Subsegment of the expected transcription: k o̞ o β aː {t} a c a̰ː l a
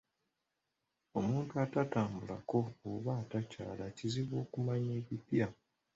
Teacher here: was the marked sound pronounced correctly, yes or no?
yes